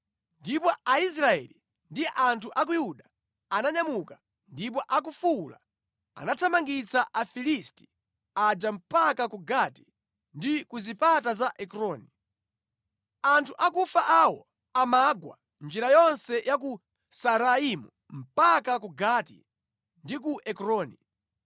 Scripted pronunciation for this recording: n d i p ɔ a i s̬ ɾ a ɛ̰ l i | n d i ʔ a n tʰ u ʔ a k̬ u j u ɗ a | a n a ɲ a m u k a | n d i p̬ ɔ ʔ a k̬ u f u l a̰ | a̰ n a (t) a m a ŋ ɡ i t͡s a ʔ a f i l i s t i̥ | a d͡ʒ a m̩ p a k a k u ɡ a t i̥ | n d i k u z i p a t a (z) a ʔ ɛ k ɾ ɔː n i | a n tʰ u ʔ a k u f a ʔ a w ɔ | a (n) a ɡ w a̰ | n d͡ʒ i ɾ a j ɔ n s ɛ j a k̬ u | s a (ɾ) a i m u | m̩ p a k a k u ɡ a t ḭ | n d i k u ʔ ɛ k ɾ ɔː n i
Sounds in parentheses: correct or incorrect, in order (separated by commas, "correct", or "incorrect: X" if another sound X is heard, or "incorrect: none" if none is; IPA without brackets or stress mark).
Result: incorrect: tʰ, correct, incorrect: m, correct